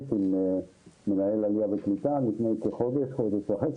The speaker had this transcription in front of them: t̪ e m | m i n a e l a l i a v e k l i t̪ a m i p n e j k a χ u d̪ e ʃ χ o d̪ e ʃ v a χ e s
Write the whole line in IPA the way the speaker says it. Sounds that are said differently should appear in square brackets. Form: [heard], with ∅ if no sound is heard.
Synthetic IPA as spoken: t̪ [i] m | m [e] n a e l a l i a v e k l i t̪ a m i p n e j k [e] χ [o] d̪ e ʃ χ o d̪ e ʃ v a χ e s